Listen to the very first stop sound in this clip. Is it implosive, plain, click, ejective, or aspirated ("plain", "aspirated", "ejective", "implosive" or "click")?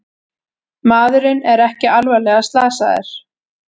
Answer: plain